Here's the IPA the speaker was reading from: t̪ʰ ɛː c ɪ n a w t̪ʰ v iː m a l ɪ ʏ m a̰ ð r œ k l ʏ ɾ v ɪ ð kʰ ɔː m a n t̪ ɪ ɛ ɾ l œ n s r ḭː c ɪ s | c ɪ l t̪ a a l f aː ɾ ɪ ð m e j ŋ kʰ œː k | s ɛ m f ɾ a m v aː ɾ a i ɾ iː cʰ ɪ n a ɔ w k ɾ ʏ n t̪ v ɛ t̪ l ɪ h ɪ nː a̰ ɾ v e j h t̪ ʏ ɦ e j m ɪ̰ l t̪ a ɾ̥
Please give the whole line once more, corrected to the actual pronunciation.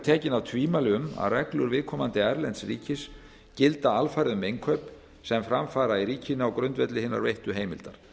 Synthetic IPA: t̪ʰ ɛː c ɪ n a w t̪ʰ v iː m a l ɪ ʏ m a̰ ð r ɛ k l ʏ ɾ v ɪ ð kʰ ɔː m a n t̪ ɪ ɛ ɾ l ɛ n s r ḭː c ɪ s | c ɪ l t̪ a a l f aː ɾ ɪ ð m e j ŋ kʰ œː p | s ɛ m f ɾ a m f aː ɾ a i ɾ iː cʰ ɪ n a ɔ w k ɾ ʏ n t̪ v ɛ t̪ l ɪ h ɪ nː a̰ ɾ v e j h t̪ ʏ ɦ e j m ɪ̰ l t̪ a ɾ̥